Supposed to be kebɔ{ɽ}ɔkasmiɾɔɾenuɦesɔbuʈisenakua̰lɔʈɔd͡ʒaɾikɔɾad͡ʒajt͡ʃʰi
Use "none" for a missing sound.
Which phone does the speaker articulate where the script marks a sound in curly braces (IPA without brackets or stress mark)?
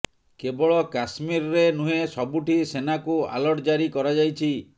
ɭ